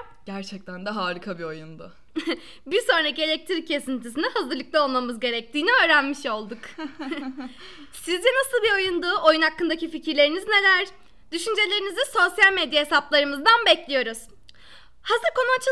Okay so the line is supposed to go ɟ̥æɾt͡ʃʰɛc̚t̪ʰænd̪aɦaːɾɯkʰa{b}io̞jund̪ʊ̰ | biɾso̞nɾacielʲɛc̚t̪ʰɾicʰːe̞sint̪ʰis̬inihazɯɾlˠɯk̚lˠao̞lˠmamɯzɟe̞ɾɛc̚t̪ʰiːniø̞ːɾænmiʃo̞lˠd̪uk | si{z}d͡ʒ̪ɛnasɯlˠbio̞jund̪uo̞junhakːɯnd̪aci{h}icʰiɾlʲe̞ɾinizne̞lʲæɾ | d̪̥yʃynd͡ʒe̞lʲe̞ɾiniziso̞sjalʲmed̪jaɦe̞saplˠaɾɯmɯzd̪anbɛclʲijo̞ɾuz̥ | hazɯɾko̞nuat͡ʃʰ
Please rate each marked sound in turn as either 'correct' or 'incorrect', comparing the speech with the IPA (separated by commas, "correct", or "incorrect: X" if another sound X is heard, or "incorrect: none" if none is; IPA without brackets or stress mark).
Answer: correct, correct, incorrect: f